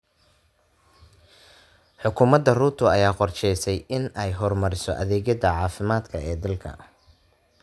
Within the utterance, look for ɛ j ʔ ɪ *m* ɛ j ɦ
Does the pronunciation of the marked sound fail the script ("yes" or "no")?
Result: yes